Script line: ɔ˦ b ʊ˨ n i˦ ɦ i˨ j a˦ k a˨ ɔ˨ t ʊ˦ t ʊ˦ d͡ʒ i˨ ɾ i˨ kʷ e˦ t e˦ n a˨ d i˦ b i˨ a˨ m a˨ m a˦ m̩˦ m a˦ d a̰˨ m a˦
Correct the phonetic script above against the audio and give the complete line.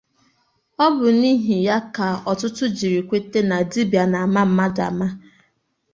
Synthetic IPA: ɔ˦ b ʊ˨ n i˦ ɦ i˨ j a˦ k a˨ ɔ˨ t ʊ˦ t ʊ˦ d͡ʒ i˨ ɾ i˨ kʷ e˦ t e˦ n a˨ d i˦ b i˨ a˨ n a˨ m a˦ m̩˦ m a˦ d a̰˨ m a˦